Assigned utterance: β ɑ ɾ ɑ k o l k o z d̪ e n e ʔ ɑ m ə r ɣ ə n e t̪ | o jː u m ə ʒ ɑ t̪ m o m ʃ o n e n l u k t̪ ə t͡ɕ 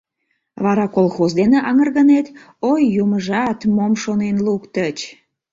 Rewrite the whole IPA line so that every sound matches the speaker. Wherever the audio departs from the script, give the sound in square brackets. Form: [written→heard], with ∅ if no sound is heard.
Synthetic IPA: β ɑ ɾ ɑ k o l [k→x] o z d̪ e n e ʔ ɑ [m→ŋ] ə r ɣ ə n e t̪ | o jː u m ə ʒ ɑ t̪ m o m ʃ o n e n l u k t̪ ə t͡ɕ